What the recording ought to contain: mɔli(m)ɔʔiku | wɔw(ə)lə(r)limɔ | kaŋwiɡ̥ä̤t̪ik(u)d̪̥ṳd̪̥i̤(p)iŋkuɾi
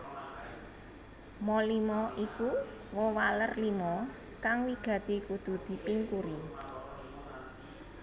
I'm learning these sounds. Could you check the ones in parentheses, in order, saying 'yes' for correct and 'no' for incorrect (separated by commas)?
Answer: yes, no, yes, yes, yes